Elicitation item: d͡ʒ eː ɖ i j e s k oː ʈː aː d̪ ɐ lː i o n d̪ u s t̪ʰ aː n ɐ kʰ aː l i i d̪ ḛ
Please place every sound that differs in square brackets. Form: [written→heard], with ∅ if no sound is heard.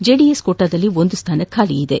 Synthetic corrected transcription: d͡ʒ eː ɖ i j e s k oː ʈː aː d̪ ɐ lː i o n d̪ u s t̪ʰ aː n ɐ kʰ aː l i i d̪ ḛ